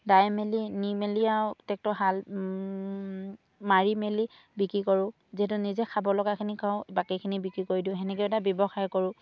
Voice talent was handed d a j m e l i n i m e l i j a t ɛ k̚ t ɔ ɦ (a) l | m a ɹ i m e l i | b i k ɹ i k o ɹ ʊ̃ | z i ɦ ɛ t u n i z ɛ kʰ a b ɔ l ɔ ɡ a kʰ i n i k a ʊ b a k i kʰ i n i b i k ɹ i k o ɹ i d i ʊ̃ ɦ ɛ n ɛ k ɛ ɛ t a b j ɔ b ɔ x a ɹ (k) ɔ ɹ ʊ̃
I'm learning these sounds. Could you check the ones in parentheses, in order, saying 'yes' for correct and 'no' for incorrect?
yes, yes

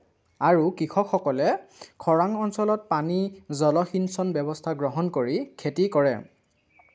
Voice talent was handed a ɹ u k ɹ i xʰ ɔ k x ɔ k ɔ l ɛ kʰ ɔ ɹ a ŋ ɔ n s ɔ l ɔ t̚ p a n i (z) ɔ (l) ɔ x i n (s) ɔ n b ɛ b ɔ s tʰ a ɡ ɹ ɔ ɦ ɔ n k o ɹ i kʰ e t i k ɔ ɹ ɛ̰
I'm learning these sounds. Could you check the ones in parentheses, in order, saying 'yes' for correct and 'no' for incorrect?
yes, yes, yes

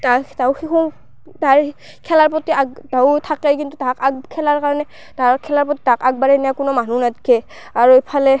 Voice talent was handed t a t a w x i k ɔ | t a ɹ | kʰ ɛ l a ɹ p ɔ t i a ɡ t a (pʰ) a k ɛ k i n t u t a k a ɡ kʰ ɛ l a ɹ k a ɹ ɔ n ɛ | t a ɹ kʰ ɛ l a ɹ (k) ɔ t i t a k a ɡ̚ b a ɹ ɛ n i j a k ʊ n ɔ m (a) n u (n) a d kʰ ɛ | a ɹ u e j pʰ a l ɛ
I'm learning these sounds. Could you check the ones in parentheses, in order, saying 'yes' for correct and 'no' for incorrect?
no, no, yes, yes

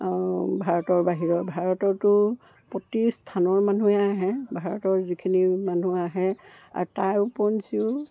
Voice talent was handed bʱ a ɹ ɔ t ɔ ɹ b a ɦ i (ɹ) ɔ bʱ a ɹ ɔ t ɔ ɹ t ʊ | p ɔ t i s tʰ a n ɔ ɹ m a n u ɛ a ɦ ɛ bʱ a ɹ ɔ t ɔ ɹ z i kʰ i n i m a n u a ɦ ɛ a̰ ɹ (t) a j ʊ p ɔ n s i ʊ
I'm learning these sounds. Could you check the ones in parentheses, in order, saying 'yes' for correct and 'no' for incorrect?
yes, yes

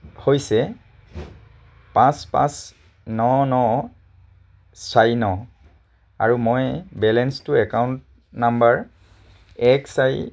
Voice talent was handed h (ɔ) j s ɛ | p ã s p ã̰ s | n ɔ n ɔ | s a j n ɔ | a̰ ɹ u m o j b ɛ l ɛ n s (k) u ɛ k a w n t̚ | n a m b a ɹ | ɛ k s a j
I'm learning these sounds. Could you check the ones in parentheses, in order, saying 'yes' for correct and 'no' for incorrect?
no, no

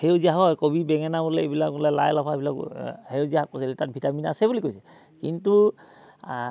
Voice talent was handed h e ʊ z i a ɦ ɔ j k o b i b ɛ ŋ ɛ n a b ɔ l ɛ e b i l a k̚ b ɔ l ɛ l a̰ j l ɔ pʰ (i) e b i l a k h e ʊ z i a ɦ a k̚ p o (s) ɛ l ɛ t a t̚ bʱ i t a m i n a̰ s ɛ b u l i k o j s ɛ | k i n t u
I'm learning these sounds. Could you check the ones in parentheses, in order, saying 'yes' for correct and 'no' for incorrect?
no, yes

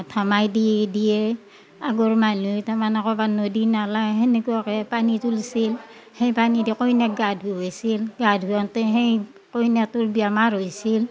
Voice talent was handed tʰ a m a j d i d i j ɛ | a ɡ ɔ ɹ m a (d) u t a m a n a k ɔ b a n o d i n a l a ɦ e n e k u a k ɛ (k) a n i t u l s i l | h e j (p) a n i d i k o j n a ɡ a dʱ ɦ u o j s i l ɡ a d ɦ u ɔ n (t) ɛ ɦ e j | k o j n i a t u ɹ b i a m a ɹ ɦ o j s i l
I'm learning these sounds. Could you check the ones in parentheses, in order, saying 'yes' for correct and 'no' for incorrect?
no, no, yes, yes

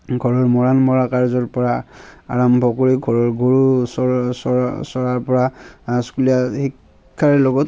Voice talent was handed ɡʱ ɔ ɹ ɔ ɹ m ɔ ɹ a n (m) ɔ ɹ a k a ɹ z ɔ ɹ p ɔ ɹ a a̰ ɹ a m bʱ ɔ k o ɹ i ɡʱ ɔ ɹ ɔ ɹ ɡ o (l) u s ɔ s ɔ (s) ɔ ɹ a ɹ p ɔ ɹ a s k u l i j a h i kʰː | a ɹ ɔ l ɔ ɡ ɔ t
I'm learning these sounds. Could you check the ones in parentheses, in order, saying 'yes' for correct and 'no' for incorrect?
yes, no, yes

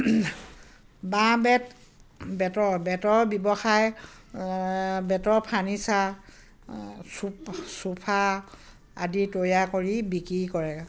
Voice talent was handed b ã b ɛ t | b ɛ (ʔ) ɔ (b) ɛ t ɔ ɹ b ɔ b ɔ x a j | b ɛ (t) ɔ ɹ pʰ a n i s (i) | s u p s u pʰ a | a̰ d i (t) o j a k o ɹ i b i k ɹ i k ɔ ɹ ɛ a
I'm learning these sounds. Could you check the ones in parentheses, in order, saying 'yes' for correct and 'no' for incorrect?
no, yes, yes, no, yes

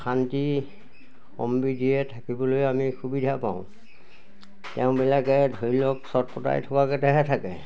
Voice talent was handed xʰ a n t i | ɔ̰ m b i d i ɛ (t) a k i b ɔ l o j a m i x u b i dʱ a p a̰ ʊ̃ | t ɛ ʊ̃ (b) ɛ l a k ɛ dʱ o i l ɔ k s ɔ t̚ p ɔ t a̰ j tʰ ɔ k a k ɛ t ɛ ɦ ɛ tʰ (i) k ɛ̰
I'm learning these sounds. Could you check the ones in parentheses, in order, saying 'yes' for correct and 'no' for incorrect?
no, yes, no

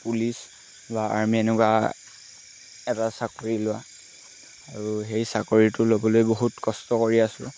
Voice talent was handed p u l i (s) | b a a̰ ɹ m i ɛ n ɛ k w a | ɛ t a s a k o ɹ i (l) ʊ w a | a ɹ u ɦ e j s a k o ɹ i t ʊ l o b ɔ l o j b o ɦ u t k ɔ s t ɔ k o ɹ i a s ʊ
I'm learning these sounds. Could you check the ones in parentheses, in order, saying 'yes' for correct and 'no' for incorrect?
yes, yes

